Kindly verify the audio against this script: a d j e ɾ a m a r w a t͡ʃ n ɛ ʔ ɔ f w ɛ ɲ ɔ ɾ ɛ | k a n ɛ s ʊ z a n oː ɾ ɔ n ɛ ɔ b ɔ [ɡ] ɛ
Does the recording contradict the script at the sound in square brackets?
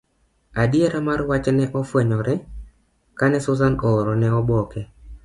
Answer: yes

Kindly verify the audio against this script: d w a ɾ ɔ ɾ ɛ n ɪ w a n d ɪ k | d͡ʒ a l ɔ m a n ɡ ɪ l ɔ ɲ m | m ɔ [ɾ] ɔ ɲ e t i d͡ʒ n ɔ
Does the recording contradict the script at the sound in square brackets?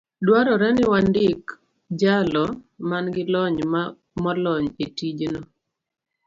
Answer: yes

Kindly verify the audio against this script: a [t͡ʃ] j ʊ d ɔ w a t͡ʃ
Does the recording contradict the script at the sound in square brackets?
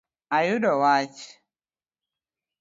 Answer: yes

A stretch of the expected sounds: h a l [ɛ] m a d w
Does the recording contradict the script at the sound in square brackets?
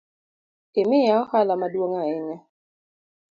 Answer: yes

